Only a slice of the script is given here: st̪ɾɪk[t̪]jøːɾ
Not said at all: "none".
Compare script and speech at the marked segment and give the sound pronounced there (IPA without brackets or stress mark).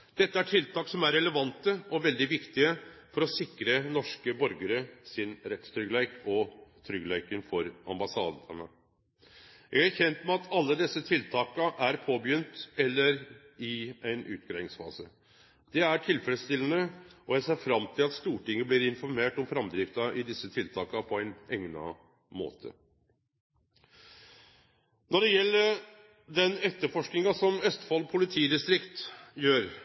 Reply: t̪